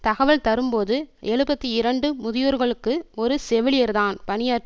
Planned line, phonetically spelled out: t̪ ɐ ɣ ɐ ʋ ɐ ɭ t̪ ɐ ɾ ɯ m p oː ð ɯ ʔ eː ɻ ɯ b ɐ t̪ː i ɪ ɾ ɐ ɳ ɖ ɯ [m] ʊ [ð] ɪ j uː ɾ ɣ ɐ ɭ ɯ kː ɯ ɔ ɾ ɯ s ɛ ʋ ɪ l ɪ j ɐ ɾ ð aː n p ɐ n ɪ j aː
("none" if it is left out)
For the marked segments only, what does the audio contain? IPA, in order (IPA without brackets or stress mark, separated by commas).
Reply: m, ð